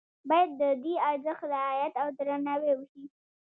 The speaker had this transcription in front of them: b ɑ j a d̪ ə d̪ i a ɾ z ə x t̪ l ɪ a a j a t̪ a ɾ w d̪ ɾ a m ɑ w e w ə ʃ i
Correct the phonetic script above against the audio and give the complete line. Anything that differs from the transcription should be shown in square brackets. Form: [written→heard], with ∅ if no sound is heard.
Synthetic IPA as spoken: b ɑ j a [d̪→d̪ː] ə d̪ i a ɾ z ə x t̪ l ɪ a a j a t̪ a [ɾ→∅] w d̪ ɾ a [m→n] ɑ w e w ə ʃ i